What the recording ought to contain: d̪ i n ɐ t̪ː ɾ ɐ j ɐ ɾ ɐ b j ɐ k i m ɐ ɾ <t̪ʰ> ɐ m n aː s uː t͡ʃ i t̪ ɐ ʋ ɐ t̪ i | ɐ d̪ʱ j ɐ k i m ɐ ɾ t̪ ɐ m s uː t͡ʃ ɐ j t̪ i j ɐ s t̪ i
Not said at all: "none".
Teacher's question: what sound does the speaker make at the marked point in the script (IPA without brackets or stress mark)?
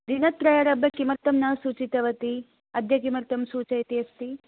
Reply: t̪